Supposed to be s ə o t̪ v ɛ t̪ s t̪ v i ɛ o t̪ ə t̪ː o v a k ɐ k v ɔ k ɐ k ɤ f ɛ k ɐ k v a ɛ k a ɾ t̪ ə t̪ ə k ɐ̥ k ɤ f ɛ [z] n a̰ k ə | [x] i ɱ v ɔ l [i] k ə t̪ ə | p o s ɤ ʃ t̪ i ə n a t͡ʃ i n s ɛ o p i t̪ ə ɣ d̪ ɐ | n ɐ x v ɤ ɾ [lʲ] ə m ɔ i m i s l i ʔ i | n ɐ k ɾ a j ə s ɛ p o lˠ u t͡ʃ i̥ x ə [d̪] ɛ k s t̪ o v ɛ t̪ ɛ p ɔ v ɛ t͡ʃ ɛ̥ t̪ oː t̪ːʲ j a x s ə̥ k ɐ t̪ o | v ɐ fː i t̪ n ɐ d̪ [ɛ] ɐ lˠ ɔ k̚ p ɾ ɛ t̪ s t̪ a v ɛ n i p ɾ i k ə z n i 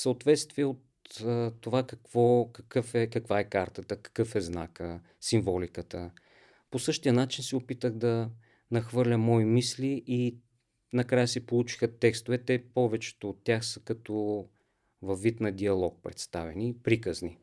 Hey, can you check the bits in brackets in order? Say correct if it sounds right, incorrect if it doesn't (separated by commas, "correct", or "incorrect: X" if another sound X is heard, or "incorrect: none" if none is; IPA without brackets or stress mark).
correct, incorrect: s, correct, correct, incorrect: t̪, incorrect: i